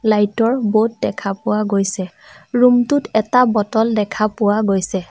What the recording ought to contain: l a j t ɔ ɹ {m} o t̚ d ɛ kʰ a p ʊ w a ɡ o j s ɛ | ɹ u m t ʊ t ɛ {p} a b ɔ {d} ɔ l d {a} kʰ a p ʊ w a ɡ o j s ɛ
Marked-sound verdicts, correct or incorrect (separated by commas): incorrect, incorrect, incorrect, incorrect